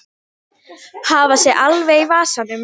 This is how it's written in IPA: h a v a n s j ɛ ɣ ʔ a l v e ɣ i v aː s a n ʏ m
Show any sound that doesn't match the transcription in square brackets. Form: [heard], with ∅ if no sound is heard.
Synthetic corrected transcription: h a v a [∅] s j ɛ ɣ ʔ a l v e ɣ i v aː s a n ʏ m